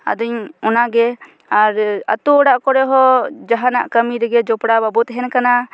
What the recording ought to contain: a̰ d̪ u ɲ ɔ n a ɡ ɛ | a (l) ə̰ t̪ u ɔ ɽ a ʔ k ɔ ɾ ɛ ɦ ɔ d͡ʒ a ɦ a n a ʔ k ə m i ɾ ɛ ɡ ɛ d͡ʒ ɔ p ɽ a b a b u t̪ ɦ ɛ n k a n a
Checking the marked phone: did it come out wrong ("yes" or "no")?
yes